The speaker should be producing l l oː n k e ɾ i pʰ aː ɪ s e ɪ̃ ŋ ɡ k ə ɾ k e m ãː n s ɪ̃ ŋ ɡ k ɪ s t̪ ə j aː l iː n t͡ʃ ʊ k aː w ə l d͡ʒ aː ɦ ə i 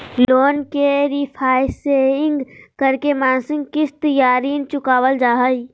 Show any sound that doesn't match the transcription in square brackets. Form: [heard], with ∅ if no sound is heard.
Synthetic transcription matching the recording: l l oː n k e ɾ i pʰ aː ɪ s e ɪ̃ ŋ ɡ k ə ɾ k e m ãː n s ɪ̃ ŋ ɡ k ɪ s t̪ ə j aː [ɾ] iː n t͡ʃ ʊ k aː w ə l d͡ʒ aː ɦ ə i